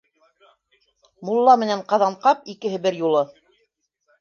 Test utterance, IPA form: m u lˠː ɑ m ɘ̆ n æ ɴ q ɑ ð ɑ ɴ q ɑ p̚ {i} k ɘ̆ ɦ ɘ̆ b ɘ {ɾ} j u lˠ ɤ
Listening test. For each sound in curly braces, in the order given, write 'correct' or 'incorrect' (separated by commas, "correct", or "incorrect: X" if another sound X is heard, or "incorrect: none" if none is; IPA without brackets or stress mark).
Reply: correct, correct